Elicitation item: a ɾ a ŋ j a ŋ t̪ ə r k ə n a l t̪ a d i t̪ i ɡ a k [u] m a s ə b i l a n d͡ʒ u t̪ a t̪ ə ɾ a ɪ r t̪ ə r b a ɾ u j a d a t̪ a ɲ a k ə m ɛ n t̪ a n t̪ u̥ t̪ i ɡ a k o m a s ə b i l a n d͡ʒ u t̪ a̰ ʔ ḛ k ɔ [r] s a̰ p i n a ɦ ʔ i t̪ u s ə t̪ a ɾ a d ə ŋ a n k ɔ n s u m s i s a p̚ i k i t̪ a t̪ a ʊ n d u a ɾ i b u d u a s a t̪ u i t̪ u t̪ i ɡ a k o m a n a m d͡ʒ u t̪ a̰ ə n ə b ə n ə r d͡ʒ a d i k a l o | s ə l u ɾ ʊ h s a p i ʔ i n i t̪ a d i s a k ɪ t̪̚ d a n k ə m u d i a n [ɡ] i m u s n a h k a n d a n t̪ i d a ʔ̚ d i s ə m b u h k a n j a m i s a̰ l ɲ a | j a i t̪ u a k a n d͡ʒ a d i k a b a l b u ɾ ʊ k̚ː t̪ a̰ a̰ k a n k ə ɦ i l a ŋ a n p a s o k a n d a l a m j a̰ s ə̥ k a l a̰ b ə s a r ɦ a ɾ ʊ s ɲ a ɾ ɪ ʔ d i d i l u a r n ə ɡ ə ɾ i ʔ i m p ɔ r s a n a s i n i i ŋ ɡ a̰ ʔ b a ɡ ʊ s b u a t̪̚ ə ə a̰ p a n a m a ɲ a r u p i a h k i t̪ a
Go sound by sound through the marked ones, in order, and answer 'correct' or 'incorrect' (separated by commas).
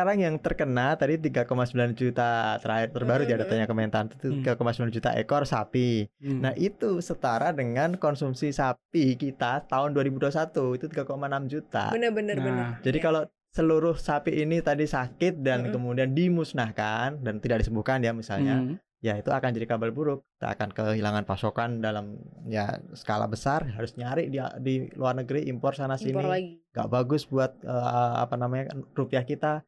incorrect, correct, incorrect